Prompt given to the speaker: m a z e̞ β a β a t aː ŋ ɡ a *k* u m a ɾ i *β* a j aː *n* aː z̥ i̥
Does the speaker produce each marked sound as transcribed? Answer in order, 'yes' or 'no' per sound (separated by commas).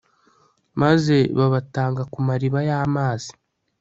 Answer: yes, yes, no